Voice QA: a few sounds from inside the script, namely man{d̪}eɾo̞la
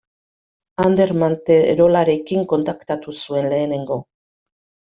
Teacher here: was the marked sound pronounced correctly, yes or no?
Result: no